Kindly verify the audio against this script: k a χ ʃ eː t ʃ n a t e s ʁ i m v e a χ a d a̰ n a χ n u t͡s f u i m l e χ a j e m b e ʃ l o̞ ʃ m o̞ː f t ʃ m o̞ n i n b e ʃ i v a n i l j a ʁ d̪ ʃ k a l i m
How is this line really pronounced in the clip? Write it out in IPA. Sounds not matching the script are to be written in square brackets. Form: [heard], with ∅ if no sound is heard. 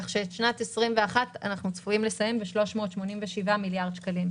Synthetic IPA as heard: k a χ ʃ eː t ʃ n a t e s ʁ i m v e a χ a [t] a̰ n a χ n u t͡s f u i m l e [s] a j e m b e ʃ l o̞ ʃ m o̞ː [∅] t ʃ m o̞ n i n [v] e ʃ i v a [m] i l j a ʁ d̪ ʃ k a l i m

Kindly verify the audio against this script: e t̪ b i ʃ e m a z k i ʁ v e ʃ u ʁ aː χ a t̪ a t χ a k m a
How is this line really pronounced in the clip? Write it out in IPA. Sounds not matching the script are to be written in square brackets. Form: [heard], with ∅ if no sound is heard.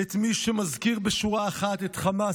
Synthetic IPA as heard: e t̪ [m] i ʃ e m a z k i ʁ [b] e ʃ u ʁ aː χ a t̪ [e] t χ a [∅] m a

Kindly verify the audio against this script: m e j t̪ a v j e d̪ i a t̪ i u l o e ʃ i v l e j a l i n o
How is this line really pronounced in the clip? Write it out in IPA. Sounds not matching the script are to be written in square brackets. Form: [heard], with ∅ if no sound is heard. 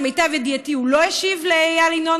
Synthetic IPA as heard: m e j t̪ a v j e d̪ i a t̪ i u l o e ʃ i v l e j a l i n o

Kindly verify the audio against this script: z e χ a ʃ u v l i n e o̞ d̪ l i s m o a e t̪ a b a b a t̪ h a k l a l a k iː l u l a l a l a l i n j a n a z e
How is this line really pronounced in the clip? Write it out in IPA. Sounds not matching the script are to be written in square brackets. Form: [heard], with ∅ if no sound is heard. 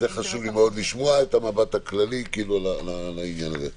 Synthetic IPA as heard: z e χ a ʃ u v l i [m] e o̞ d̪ l i [ʃ] m o a e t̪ a [m] a b a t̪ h a k l a l [i] k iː l u l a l a l a [∅] i n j a n a z e

